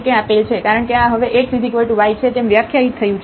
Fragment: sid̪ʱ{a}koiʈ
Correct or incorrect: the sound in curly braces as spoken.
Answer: incorrect: i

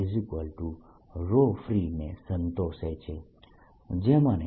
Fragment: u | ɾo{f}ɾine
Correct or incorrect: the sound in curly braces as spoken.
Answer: correct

